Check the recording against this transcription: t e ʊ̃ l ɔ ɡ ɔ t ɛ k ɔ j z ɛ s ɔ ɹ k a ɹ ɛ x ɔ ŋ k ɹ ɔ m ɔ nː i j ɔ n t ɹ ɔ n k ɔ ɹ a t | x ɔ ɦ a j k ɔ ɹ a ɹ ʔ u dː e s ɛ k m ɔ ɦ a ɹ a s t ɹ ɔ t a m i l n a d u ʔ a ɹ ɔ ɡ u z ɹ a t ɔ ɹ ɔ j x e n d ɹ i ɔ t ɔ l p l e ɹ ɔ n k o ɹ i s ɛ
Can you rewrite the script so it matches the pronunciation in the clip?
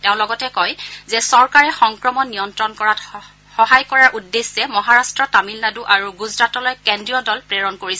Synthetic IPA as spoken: t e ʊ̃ l ɔ ɡ ɔ t ɛ k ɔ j z ɛ s ɔ ɹ k a ɹ ɛ x ɔ ŋ k ɹ ɔ m ɔ nː i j ɔ n t ɹ ɔ n k ɔ ɹ a t | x ɔ ɦ a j k ɔ ɹ a ɹ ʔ u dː e s ɛ m ɔ ɦ a ɹ a s t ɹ ɔ t a m i l n a d u ʔ a ɹ u ɡ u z ɹ a t ɔ l ɔ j k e n d ɹ i ɔ d ɔ l p ɹ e ɹ ɔ n k o ɹ i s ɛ